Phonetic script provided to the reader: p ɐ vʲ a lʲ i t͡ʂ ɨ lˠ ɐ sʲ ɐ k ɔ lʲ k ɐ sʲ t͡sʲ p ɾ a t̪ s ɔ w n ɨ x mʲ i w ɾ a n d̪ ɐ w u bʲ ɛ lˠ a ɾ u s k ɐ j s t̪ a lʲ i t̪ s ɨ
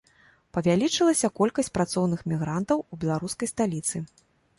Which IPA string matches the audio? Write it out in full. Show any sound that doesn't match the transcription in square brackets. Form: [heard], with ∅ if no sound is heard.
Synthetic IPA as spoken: p ɐ vʲ a lʲ i t͡ʂ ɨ lˠ ɐ sʲ ɐ k ɔ lʲ k ɐ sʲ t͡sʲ p ɾ a t̪ s ɔ w n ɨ x mʲ i [ɣ] ɾ a n [t̪] ɐ w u bʲ ɛ lˠ a ɾ u s k ɐ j s t̪ a lʲ i t̪ s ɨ